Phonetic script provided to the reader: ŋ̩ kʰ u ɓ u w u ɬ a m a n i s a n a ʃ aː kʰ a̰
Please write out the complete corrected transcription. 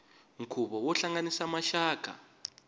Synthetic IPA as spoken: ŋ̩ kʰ u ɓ ɔ w ɔ ɬ a ŋ a n i s a m a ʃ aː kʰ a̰